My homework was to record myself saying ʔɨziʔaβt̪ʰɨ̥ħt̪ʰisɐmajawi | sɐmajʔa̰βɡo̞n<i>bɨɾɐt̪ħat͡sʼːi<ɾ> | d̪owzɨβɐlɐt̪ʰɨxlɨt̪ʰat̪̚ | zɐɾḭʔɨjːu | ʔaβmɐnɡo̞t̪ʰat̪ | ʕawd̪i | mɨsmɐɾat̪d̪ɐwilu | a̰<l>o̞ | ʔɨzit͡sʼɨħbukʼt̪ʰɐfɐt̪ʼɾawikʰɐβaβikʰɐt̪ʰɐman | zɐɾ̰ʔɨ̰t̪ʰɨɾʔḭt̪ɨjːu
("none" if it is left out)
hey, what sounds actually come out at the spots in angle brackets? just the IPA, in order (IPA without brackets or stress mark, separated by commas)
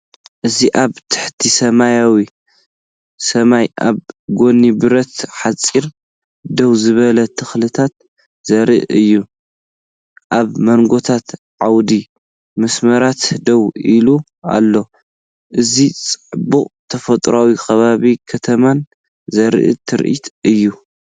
i, ɾ, lː